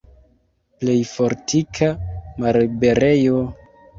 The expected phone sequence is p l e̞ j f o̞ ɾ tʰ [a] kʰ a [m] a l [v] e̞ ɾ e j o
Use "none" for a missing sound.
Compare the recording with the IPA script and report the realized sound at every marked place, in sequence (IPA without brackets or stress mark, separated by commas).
i, m, b